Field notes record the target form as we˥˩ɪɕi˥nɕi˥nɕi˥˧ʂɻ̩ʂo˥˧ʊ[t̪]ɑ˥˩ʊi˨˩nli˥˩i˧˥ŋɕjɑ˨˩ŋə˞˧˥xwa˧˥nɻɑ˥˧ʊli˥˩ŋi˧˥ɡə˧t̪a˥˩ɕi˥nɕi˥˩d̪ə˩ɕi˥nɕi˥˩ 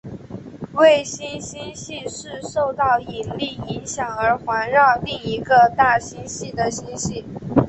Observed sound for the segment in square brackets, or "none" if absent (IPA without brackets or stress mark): t̪